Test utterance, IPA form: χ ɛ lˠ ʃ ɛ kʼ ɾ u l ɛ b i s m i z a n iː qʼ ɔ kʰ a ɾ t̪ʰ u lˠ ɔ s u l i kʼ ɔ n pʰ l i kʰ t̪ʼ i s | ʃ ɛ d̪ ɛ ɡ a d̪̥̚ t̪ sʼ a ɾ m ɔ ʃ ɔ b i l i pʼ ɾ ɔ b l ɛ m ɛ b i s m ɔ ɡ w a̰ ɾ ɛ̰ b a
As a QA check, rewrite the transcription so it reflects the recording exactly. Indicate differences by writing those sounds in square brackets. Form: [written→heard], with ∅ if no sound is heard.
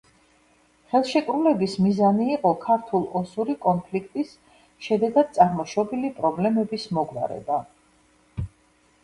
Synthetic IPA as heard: χ ɛ lˠ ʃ ɛ kʼ ɾ u l ɛ b i s m i z a n iː qʼ ɔ kʰ a ɾ t̪ʰ u lˠ ɔ s u [l→ɾ] i kʼ ɔ n pʰ l i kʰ t̪ʼ i s | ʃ ɛ d̪ ɛ ɡ a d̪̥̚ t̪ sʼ a ɾ m ɔ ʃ ɔ b i l i pʼ ɾ ɔ b l ɛ m ɛ b i s m ɔ ɡ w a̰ ɾ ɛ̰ b a